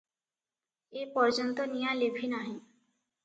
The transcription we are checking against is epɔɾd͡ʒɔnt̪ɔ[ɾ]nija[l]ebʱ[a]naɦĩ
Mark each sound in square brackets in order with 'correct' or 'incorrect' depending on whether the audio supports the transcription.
incorrect: none, correct, incorrect: i

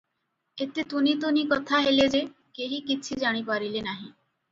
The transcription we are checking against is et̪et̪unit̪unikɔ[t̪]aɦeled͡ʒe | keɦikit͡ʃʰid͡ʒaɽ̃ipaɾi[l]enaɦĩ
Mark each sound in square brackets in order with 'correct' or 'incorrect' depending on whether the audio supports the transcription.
incorrect: t̪ʰ, correct

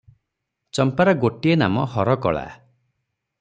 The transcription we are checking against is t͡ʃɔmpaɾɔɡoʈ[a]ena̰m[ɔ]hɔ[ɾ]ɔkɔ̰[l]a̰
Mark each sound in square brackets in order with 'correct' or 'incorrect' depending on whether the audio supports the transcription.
incorrect: i, correct, correct, incorrect: ɭ

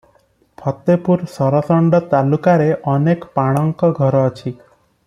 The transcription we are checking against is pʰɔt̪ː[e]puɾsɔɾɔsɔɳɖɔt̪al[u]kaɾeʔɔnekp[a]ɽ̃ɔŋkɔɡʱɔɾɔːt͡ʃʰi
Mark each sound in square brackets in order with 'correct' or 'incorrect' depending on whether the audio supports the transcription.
correct, correct, correct

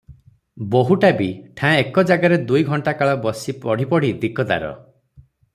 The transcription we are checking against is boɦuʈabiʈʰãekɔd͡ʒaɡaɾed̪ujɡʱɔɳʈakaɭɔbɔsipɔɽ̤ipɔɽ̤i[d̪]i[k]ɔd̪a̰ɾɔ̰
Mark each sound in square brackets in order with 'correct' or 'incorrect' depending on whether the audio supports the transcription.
correct, correct

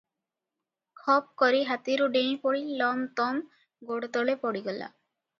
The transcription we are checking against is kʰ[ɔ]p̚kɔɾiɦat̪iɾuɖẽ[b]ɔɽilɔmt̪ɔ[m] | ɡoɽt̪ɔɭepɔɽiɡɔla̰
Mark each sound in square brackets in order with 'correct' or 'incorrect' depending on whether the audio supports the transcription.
correct, incorrect: p, correct

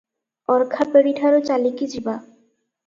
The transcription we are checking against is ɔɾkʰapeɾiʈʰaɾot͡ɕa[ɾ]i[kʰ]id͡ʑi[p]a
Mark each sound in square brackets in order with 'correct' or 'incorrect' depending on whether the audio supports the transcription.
incorrect: l, incorrect: k, incorrect: b

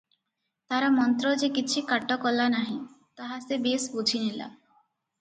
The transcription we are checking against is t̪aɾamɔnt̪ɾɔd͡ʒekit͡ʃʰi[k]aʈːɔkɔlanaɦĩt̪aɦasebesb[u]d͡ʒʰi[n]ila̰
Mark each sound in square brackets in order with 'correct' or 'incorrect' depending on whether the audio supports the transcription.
correct, correct, correct

